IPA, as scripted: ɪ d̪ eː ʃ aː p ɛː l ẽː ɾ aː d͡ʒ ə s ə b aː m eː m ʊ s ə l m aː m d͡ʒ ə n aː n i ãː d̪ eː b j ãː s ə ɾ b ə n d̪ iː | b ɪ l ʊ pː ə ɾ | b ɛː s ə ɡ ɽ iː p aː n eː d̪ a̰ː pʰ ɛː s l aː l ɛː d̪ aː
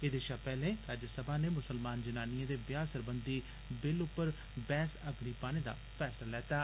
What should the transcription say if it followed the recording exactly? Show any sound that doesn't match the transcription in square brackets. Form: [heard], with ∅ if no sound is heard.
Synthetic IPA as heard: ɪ d̪ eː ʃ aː p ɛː l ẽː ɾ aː d͡ʒ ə s ə b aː [n] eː m ʊ s ə l m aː [n] d͡ʒ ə n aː n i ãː d̪ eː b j [aː] s ə ɾ b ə n d̪ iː | b ɪ l ʊ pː ə ɾ | b ɛː s ə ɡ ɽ iː p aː n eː d̪ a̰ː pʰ ɛː s l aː l ɛː [t̪] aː